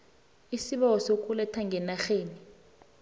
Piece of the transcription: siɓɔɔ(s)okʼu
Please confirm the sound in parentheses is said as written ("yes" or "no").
yes